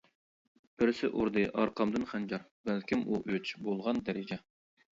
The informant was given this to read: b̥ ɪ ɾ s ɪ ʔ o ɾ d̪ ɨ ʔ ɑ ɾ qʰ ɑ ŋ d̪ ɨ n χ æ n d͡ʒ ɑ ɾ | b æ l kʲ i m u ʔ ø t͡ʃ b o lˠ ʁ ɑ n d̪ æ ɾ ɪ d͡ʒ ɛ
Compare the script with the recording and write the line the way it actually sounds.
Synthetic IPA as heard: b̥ ɪ ɾ s ɪ ʔ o ɾ d̪ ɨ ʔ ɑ ɾ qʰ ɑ m d̪ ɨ n χ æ n d͡ʒ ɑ ɾ | b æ l kʲ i m u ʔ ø t͡ʃ b o lˠ ʁ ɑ n d̪ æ ɾ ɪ d͡ʒ ɛ